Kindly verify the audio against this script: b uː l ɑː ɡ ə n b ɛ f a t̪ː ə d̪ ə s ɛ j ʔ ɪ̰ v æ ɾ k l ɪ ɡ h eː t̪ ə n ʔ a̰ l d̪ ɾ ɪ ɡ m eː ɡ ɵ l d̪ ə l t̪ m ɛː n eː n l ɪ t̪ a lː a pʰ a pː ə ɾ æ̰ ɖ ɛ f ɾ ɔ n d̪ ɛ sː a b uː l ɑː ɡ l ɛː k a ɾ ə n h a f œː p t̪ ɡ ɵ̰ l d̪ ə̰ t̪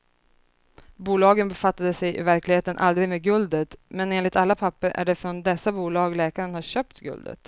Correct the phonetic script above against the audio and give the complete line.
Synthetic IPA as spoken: b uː l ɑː ɡ ə n b ɛ f a t̪ː a d̪ ə s ɛ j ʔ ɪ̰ v æ ɾ k l ɪ ɡ h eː t̪ ə n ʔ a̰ l d̪ ɾ ɪ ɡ m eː ɡ ɵ l d̪ ə t̪ m ɛ n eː n l ɪ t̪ a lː a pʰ a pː ə ɾ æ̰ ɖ ɛ f ɾ ɔ n d̪ ɛ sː a b uː l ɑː ɡ l ɛː k a ɾ ə n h a ɕ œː p t̪ ɡ ɵ̰ l d̪ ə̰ t̪